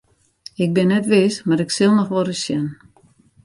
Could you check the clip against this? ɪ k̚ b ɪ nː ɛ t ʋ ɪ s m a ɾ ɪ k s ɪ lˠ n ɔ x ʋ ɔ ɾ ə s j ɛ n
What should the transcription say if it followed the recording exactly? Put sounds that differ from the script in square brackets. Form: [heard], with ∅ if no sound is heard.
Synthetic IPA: ɪ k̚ b ɪ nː ɛ t ʋ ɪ s m a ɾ ɪ k s ɪ lˠ n ɔ x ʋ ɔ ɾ ə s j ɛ n